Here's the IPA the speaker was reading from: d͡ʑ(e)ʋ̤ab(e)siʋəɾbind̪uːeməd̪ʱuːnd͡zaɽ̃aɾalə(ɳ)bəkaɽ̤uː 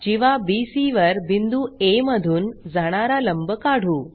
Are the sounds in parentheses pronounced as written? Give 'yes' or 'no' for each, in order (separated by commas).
no, no, no